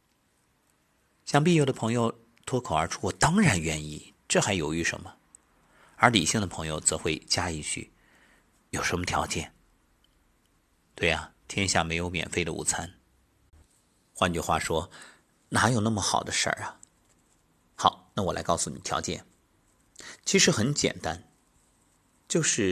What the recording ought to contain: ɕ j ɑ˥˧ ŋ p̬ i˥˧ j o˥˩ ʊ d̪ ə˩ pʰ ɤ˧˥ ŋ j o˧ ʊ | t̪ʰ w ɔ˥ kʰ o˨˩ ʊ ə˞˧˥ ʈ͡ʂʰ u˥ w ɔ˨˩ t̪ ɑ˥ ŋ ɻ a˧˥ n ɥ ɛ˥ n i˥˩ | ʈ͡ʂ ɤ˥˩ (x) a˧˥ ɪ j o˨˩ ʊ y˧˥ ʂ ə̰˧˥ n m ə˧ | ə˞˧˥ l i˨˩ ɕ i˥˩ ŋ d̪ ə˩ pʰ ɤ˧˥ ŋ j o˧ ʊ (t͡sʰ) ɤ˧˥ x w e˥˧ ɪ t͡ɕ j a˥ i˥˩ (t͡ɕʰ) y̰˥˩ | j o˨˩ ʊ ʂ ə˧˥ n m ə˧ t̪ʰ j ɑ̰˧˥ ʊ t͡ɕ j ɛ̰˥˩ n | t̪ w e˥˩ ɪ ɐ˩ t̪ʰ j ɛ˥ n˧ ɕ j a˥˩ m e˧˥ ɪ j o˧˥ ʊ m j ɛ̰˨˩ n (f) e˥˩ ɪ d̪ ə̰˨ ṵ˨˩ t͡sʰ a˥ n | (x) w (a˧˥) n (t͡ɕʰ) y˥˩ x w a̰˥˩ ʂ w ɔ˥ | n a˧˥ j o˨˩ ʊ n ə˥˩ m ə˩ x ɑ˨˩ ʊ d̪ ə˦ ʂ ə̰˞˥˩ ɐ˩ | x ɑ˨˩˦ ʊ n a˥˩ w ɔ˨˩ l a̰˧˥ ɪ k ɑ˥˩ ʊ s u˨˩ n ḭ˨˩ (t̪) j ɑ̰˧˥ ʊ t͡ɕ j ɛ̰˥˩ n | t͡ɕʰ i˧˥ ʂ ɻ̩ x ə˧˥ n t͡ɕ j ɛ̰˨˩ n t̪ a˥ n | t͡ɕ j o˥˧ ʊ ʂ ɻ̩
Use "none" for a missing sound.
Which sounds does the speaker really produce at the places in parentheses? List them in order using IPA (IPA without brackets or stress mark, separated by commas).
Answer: x, t͡s, t͡ɕʰ, f, x, a˥˧, t͡ɕ, t̪ʰ